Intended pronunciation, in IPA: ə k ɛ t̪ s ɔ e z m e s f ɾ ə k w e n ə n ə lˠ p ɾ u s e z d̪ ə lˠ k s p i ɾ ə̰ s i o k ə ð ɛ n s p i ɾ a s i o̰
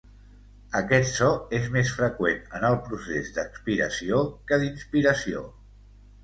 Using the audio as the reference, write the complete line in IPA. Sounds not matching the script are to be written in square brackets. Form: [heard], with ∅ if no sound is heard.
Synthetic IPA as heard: ə k ɛ t̪ s ɔ e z m e s f ɾ ə k w e n ə n ə lˠ p ɾ u s e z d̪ ə [∅] k s p i ɾ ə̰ s i o k ə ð [i] n s p i ɾ [ə] s i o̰